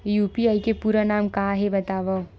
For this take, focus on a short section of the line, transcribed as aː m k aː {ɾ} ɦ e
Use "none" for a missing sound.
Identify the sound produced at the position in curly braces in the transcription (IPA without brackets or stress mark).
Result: none